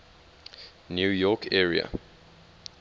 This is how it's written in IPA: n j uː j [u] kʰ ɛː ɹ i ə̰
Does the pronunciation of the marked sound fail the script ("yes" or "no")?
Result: yes